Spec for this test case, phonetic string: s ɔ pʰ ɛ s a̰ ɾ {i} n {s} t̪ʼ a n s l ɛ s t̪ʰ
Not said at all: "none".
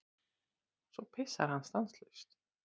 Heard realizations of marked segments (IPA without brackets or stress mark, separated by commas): a, s